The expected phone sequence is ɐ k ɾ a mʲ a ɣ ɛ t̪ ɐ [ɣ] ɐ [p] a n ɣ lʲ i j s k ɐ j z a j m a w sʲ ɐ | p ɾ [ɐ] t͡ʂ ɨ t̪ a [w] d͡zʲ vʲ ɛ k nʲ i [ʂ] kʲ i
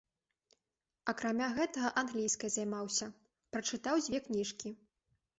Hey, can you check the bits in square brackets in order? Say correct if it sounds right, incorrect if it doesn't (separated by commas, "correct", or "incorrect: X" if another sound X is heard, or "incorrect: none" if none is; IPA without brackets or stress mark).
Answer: correct, incorrect: ʔ, correct, correct, correct